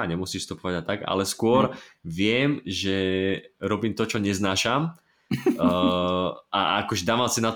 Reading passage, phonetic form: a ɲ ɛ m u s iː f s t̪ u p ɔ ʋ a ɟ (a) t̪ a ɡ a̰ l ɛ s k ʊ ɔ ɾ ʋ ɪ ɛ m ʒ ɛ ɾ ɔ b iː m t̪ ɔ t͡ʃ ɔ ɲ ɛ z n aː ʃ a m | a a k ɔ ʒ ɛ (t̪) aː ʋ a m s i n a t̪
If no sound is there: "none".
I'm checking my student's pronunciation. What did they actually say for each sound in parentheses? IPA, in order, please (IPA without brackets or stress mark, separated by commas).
a, d̪